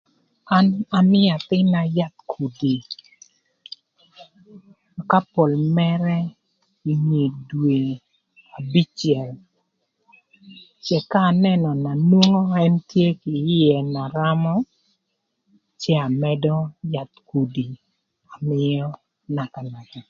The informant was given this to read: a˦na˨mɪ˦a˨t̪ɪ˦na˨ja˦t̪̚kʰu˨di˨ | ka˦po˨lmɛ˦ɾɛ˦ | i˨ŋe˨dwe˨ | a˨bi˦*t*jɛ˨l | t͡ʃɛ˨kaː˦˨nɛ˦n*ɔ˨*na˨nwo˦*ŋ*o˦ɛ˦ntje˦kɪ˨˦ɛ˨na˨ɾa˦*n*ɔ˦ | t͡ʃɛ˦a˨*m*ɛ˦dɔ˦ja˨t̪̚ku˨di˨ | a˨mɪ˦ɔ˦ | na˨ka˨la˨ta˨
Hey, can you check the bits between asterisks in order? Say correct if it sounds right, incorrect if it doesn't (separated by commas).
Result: incorrect, correct, correct, incorrect, correct